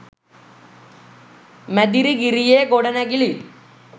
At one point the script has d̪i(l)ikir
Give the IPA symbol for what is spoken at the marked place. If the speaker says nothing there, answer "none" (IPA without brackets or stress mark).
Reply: ɾ